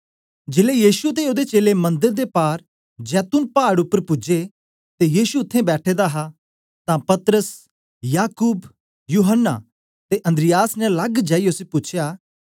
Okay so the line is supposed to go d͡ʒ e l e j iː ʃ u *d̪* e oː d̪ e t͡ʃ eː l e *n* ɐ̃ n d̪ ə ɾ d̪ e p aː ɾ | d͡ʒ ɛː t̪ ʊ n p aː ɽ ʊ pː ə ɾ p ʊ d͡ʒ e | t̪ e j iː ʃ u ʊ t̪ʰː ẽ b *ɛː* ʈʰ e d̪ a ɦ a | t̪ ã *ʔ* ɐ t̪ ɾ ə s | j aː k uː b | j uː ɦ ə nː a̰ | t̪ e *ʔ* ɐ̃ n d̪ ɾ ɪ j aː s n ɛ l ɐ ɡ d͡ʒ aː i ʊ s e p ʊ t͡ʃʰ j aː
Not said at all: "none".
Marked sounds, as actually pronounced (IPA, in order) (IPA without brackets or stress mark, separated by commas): t̪, m, ɛː, p, ʔ